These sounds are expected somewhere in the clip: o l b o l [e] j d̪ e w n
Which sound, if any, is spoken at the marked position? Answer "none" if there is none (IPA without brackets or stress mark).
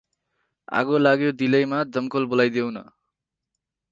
a